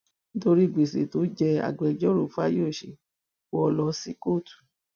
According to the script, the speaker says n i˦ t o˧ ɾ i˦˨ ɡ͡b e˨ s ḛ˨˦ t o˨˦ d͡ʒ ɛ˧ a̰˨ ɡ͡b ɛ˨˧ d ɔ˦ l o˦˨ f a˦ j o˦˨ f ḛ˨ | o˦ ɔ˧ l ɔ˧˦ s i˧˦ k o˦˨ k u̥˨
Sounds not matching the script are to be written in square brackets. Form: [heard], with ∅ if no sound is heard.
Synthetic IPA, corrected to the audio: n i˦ t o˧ ɾ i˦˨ ɡ͡b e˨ s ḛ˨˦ t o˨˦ d͡ʒ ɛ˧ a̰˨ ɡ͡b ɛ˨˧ [d͡ʒ] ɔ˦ [ɾ] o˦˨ f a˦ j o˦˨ [ʃ] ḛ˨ | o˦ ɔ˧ l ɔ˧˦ s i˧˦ k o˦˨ [t] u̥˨